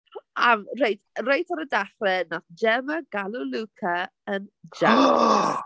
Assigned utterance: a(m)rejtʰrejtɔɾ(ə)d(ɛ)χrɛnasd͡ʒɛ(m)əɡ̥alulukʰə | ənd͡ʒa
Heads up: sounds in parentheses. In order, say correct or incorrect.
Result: correct, correct, incorrect, correct

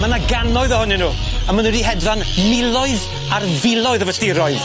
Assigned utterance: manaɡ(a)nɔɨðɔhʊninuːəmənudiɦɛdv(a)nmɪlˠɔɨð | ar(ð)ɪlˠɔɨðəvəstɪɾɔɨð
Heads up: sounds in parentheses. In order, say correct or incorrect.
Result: correct, correct, incorrect

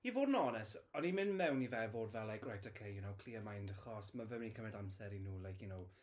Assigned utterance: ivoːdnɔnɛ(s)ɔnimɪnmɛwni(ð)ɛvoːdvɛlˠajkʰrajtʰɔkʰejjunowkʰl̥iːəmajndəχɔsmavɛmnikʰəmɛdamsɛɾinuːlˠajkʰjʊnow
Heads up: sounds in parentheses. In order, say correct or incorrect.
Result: correct, incorrect

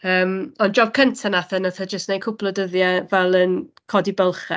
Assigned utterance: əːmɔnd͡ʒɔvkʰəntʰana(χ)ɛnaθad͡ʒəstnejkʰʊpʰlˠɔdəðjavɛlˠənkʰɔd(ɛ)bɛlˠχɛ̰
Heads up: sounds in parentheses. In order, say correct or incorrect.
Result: incorrect, incorrect

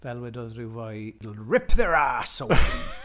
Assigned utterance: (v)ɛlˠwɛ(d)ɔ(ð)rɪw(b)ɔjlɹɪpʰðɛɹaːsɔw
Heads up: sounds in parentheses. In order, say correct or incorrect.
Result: correct, correct, correct, incorrect

